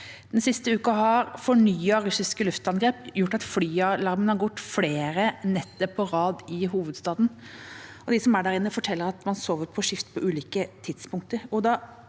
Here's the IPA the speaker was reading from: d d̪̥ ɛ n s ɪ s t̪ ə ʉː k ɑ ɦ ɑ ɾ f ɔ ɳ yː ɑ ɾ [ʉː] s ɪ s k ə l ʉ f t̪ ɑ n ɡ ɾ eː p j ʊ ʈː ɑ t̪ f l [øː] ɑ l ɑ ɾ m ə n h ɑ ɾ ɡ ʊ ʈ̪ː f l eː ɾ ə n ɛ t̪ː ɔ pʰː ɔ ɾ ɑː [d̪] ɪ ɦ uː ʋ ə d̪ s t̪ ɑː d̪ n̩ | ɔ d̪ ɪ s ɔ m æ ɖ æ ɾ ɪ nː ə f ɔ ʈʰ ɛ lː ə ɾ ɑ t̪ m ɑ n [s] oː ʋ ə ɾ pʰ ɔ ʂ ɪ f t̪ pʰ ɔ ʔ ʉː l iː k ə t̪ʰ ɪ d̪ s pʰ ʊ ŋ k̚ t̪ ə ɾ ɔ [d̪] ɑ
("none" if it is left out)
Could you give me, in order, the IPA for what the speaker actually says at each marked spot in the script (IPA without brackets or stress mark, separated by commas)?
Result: ʉ, yː, d̪, s, d̪